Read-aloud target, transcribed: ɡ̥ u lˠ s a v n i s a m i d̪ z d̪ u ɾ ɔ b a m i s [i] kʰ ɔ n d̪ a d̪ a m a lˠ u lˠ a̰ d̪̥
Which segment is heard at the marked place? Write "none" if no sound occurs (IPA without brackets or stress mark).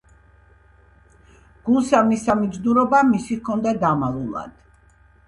i